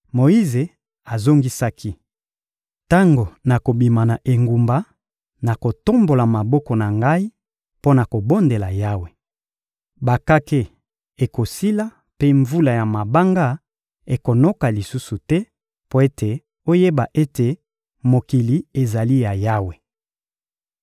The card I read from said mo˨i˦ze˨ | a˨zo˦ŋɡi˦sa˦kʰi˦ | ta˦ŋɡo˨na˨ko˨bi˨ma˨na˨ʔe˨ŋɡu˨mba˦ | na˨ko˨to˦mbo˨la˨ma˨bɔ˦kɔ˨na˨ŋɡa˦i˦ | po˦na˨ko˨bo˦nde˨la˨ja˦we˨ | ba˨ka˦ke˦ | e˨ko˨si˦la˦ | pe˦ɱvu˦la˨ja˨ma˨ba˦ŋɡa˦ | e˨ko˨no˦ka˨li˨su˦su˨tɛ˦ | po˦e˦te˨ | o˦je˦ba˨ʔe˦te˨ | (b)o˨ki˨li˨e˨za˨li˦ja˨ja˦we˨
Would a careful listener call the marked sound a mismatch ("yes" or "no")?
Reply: yes